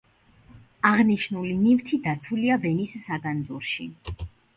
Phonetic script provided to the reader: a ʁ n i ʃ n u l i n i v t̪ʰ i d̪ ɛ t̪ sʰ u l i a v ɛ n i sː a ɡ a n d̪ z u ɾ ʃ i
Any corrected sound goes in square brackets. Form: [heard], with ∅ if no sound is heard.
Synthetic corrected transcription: a ʁ n i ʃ n u l i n i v t̪ʰ i d̪ [a] t̪ sʰ u l i a v ɛ n i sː a ɡ a n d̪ z u ɾ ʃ i